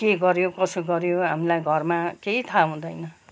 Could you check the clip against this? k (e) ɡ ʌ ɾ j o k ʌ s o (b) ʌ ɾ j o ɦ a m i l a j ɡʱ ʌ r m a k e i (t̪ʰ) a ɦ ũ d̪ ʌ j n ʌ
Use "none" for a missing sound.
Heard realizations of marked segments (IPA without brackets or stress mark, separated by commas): e, ɡ, t̪ʰ